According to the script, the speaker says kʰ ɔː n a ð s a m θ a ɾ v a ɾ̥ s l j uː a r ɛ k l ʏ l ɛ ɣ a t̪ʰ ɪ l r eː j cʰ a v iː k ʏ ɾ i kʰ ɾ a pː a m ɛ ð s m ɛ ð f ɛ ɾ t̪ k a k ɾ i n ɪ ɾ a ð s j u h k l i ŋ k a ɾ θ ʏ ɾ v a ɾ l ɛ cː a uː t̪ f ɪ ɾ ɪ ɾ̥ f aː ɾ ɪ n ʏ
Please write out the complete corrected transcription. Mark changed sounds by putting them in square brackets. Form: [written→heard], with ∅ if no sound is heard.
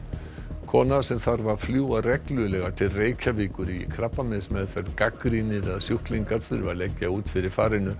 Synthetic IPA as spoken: kʰ ɔː n a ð s [a→ɛ] m θ a ɾ v a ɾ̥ [s→f] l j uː a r ɛ k l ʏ l ɛ ɣ a t̪ʰ ɪ l r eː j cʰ a v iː k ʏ ɾ i kʰ ɾ a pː a m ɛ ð s m ɛ ð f ɛ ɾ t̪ k a k ɾ i n ɪ ɾ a ð s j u h k l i ŋ k a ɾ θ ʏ ɾ v a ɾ l ɛ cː a uː t̪ f ɪ ɾ ɪ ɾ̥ f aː ɾ ɪ n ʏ